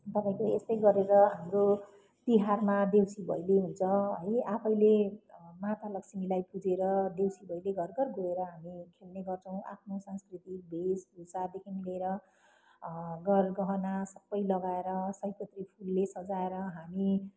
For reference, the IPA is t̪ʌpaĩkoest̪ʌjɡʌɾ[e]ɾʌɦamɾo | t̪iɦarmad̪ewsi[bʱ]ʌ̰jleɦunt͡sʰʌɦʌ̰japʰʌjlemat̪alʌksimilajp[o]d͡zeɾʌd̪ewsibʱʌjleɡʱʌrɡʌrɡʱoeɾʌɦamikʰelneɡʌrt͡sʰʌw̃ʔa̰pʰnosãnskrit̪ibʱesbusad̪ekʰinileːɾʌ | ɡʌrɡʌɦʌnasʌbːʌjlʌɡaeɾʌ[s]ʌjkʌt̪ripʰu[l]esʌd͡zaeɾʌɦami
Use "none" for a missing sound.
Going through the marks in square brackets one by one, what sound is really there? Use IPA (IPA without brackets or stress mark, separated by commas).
e, bʱ, u, s, lː